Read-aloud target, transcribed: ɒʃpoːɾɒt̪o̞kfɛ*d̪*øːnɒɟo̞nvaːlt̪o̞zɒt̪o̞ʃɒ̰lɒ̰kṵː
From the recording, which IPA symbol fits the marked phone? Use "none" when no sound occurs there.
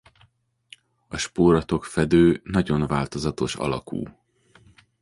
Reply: d̪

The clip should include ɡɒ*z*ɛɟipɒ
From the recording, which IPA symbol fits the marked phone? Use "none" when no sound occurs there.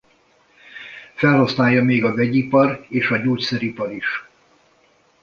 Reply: v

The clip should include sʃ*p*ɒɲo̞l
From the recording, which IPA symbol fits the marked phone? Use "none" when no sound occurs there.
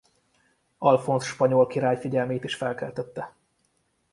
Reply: p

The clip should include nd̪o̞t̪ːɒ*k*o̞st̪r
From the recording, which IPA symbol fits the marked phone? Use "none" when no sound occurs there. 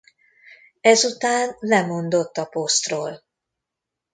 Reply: p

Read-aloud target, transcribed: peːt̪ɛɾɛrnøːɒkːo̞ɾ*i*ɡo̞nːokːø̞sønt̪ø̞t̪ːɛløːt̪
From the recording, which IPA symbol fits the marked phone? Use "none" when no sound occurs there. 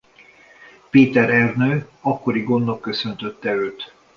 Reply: i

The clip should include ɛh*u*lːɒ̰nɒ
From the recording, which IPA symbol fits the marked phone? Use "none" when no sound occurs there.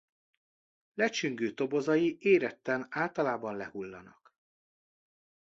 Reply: u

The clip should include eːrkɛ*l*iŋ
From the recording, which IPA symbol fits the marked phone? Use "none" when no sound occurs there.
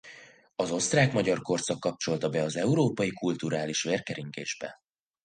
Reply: ɾ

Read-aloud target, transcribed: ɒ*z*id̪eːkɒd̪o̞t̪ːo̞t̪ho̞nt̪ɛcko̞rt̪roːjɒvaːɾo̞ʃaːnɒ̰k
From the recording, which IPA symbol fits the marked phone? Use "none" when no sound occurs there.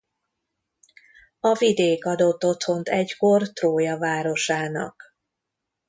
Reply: v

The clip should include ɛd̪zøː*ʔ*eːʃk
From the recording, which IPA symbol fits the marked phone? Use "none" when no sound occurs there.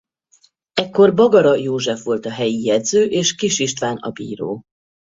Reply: ʔ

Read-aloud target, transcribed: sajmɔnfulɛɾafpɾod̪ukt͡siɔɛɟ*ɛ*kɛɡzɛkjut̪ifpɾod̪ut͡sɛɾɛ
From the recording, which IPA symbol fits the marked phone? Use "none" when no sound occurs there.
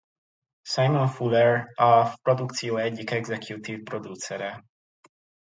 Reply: i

